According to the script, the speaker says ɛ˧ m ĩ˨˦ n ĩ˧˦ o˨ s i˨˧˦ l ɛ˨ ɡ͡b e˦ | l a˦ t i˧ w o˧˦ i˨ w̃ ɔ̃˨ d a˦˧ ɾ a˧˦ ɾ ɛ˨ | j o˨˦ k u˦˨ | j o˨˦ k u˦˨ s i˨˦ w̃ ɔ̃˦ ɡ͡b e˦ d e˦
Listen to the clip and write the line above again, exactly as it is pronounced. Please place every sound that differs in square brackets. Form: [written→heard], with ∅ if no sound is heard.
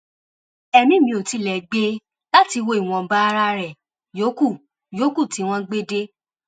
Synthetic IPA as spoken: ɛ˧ m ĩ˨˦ [n→m] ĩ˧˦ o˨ [s→t] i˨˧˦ l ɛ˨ ɡ͡b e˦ | l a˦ t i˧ w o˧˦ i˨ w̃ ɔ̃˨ [d→b] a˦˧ ɾ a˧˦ ɾ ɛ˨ | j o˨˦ k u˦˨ | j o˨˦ k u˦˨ [s→t] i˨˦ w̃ ɔ̃˦ ɡ͡b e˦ d e˦

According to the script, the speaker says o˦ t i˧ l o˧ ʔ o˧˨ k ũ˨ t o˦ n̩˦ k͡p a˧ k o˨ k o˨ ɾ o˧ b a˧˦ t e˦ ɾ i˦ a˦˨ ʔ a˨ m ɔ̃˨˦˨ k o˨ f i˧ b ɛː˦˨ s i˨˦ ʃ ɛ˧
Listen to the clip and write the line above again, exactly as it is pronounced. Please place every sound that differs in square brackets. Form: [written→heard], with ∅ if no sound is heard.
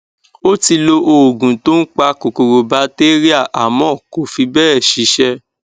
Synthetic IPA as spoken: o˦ t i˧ l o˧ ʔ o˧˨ [k→ɡ] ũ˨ t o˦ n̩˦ k͡p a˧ k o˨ k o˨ ɾ o˧ b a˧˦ t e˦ ɾ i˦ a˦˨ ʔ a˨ m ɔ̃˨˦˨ k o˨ f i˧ b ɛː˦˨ [s→ʃ] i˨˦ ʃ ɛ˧

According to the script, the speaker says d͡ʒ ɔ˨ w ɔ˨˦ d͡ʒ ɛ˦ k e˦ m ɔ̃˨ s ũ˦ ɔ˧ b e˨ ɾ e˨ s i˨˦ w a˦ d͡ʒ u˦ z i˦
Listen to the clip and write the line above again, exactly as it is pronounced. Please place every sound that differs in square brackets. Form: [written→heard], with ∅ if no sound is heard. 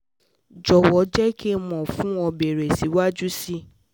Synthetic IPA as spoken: d͡ʒ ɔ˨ w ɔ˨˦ d͡ʒ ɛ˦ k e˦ m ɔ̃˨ [s→f] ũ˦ ɔ˧ b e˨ ɾ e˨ s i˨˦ w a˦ d͡ʒ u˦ [z→s] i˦

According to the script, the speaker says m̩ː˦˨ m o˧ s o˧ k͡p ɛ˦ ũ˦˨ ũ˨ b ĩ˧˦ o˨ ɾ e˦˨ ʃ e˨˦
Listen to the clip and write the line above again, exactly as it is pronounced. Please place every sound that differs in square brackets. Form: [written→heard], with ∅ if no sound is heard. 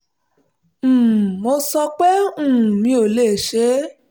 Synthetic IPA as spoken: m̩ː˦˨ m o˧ s [o˧→ɔ˧] k͡p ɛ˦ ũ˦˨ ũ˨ [b→m] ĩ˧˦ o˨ [ɾ→l] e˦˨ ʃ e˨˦

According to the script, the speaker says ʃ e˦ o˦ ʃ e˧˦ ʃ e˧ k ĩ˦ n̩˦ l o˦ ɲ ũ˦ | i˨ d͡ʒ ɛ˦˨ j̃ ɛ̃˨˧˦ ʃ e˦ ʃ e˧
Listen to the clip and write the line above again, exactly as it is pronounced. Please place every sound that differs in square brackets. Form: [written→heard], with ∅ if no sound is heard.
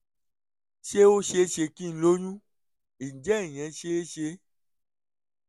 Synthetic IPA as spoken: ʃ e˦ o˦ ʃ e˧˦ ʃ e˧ k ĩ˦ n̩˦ l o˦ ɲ ũ˦ | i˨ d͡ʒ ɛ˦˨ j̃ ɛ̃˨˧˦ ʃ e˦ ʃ e˧

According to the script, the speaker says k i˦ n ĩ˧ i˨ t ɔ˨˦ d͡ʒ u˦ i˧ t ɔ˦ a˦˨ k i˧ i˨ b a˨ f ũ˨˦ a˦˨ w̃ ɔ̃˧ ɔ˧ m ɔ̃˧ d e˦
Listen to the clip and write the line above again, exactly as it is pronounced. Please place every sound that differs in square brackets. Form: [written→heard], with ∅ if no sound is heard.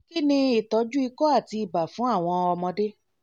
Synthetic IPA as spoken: k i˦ n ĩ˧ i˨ t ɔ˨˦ d͡ʒ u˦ i˧ [t→k] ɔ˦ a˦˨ [k→t] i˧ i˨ b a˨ f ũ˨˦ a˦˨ w̃ ɔ̃˧ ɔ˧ m ɔ̃˧ d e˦

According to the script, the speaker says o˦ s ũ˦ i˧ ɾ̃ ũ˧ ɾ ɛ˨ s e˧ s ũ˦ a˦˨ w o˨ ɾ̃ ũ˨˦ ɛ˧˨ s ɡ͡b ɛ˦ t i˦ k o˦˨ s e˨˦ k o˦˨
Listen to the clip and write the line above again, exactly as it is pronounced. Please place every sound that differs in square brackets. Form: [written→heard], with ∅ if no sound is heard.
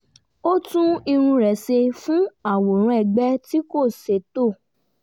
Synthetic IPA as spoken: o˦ [s→t] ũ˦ i˧ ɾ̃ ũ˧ ɾ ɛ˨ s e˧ [s→f] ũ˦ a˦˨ w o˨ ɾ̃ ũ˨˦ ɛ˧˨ [s→∅] ɡ͡b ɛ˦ t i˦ k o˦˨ s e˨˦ [k→t] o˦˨

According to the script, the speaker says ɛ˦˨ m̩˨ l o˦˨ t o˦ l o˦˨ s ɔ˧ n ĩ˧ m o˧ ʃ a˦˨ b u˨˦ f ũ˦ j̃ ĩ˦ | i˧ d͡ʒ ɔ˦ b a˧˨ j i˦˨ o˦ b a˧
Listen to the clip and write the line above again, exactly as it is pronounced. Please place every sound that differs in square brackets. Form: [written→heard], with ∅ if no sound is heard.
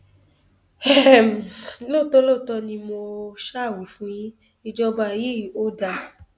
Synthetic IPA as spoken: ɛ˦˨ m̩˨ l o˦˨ t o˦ l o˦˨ [s→t] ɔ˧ n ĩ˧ m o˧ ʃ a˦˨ [b→w] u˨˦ f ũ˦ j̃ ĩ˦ | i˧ d͡ʒ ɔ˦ b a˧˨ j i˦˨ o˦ [b→d] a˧

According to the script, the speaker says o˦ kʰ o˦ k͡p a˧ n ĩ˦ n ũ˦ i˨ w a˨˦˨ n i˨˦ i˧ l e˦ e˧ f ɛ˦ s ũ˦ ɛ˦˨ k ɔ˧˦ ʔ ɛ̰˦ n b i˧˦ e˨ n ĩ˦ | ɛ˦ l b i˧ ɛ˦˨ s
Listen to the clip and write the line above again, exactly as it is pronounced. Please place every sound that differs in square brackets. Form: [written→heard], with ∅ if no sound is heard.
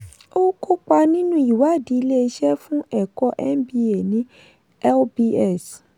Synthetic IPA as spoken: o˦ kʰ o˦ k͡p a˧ n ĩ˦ n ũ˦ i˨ w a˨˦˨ [n→d] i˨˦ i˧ l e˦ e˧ [f→ʃ] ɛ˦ [s→f] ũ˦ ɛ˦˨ k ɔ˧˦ ʔ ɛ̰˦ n b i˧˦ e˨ n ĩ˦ | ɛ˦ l b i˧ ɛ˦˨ s

